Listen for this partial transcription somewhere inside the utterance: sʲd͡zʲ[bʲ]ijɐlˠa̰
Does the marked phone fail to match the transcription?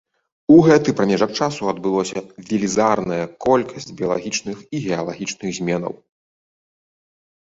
no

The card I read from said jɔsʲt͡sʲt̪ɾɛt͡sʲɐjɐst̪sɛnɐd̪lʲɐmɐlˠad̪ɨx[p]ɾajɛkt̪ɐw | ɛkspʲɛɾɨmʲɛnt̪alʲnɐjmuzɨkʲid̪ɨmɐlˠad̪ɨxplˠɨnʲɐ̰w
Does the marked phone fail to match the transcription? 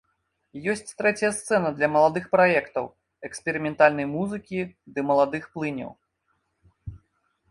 no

